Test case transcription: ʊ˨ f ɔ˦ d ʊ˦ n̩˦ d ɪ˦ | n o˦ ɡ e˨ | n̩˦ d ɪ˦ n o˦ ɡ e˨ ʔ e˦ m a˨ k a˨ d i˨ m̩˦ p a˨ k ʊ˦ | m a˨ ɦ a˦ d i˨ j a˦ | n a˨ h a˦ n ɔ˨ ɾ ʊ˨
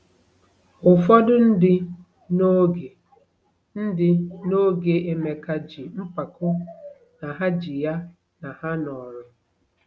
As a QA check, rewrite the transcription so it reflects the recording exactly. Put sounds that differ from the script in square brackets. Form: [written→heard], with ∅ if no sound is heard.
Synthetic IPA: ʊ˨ f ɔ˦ d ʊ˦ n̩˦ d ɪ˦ | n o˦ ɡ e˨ | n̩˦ d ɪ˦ n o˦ ɡ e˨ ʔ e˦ m [a˨→e˨] k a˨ [d→d͡ʒ] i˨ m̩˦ p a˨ k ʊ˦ | [m→n] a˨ ɦ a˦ [d→d͡ʒ] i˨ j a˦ | n a˨ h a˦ n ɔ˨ ɾ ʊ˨